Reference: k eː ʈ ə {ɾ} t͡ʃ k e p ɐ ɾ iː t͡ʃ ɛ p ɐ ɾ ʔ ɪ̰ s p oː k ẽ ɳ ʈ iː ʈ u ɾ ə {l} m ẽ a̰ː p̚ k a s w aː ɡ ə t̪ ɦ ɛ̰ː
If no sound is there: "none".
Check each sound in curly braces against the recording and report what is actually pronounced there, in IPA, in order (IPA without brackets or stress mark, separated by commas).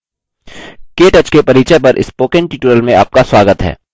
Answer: none, l